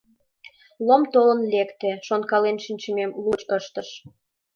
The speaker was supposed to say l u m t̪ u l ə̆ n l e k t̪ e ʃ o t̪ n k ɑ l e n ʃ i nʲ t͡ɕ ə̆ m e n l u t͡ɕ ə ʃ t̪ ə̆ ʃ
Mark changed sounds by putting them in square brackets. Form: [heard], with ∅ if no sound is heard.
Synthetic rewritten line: l [o] m t̪ [o] l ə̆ n l e k t̪ e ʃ o [∅] n k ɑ l e n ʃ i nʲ t͡ɕ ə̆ m e [m] l u t͡ɕ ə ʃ t̪ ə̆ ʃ